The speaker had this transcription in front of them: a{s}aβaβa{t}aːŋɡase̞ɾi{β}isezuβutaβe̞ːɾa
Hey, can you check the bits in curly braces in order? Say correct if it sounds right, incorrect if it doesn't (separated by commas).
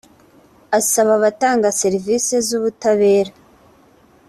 correct, correct, incorrect